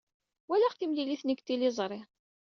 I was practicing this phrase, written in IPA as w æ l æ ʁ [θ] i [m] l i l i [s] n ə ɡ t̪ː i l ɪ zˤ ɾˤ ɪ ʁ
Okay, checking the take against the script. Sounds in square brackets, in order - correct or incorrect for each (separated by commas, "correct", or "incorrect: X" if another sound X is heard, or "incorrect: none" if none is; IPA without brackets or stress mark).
correct, correct, incorrect: θ